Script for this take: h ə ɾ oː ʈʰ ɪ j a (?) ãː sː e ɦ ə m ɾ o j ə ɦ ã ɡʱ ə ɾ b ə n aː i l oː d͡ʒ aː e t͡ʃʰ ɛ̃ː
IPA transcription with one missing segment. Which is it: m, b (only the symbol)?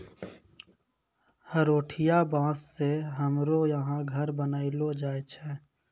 b